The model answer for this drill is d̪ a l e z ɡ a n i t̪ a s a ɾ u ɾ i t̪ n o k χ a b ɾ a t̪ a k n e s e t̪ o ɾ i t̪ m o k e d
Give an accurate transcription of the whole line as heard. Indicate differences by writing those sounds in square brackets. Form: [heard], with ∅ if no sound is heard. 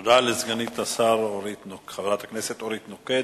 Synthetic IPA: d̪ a l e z ɡ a n i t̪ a s a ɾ [o] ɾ i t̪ n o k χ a [v] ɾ a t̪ a k n e s e t̪ o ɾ i t̪ [n] o k e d